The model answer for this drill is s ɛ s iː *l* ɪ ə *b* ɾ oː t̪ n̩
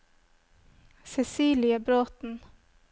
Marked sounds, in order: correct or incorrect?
correct, correct

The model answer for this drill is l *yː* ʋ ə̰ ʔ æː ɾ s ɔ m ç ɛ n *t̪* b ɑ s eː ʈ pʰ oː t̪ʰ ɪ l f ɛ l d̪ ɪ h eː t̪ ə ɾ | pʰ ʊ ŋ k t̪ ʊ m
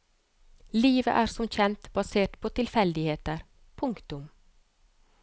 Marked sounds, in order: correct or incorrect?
incorrect: iː, correct

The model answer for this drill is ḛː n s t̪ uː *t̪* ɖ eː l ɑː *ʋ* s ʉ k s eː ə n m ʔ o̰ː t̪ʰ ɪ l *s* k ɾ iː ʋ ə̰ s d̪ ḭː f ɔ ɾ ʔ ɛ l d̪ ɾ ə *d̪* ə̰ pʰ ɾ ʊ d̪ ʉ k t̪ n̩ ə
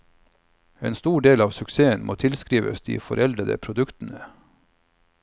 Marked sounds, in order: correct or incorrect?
incorrect: none, correct, correct, correct

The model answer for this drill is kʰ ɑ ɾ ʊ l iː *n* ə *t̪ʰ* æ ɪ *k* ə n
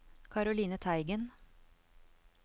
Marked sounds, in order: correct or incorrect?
correct, correct, incorrect: ɡ

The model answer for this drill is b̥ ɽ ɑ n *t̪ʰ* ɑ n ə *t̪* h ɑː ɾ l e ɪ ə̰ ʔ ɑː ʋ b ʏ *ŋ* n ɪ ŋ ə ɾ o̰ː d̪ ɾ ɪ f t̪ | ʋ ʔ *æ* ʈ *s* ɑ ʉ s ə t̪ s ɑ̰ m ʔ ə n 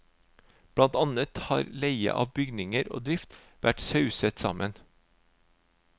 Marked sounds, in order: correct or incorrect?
incorrect: t̪, correct, incorrect: ɡ, correct, correct

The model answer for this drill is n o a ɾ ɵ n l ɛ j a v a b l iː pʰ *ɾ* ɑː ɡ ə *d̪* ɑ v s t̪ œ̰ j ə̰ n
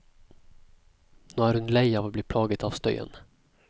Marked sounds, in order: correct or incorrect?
incorrect: l, incorrect: t̪

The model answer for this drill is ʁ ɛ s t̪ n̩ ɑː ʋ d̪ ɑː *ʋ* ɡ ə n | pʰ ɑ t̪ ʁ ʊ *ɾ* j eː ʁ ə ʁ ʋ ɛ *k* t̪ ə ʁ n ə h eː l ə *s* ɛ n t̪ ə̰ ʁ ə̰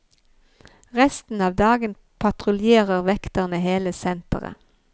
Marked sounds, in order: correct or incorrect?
incorrect: none, incorrect: l, correct, correct

